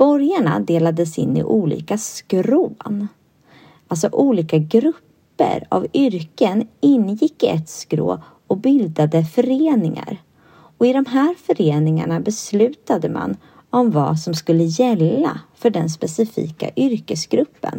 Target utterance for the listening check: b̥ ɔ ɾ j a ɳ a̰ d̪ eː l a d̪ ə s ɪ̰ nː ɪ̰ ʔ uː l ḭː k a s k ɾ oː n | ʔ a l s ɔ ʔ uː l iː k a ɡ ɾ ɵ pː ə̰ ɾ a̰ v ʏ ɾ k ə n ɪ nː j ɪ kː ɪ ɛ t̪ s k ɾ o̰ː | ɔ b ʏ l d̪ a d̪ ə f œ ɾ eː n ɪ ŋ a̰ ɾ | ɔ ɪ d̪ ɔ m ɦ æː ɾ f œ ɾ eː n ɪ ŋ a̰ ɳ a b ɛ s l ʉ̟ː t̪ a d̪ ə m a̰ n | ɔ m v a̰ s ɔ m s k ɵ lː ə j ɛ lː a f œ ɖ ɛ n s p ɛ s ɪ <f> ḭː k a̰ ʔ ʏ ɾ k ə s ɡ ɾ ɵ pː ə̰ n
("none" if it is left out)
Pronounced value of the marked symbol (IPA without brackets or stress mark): f